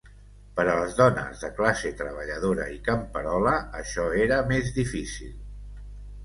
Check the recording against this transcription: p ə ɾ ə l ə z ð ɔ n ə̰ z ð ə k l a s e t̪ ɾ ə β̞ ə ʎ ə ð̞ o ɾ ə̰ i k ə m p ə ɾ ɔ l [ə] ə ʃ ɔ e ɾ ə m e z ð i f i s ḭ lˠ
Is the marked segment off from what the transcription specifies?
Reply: no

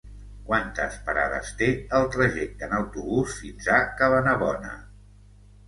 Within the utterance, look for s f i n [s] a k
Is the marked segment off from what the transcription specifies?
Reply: yes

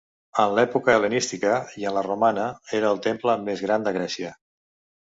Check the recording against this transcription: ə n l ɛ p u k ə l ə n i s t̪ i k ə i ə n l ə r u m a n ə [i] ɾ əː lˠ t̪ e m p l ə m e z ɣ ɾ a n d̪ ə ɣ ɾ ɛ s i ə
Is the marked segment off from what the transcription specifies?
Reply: yes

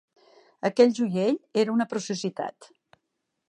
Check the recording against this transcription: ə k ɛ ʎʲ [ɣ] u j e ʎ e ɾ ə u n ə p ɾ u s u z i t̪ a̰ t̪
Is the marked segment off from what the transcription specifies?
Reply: yes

